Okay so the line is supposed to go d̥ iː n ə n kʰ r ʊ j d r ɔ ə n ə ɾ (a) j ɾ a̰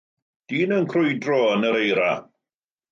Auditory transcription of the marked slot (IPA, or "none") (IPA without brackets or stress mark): e